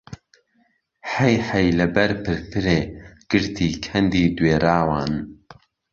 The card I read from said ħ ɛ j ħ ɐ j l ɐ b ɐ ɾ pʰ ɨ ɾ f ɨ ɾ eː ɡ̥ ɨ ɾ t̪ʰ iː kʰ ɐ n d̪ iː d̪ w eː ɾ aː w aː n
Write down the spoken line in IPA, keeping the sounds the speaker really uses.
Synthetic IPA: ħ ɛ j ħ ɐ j l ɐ b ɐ ɾ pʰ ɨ ɾ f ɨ ɾ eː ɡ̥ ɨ ɾ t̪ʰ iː kʰ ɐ n d̪ iː d̪ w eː ɾ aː w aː n